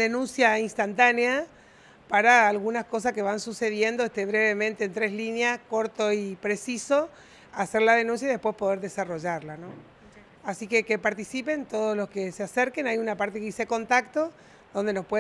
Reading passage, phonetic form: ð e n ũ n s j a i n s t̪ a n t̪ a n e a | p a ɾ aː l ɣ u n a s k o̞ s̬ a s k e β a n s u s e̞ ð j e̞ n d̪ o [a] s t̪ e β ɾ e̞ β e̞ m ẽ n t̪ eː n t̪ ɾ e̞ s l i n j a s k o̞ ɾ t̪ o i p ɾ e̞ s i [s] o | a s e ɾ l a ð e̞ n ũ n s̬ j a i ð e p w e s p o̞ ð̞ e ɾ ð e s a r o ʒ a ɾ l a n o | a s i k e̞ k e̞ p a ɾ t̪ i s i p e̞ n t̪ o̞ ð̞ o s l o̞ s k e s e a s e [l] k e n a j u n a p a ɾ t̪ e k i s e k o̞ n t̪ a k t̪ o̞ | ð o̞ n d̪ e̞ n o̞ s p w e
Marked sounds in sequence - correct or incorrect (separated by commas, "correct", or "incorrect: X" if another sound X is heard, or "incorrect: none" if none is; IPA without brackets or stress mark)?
incorrect: e, correct, incorrect: ɾ